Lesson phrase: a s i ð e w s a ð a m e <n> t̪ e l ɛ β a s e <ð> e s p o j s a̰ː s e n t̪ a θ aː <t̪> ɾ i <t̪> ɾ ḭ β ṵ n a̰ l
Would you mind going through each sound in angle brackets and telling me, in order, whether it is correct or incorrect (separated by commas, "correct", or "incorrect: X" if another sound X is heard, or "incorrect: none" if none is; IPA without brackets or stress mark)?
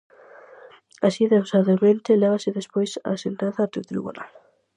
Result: correct, correct, correct, correct